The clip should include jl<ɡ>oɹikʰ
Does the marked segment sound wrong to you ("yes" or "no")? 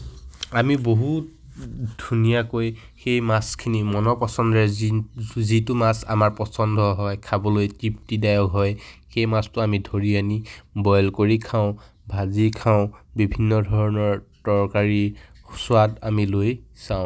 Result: yes